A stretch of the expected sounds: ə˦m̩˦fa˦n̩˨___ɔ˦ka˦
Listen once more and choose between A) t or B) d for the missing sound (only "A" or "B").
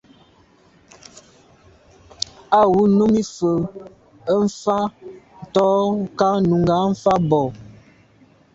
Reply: A